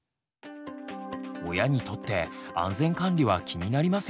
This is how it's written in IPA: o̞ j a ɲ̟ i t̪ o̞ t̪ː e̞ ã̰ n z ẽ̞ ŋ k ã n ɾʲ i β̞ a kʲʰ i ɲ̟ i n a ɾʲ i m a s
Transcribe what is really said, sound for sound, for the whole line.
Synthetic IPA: o̞ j a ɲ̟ i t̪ o̞ t̪ː e̞ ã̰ n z ẽ̞ ŋ k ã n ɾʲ i β̞ a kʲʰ i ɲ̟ i n a ɾʲ i m a s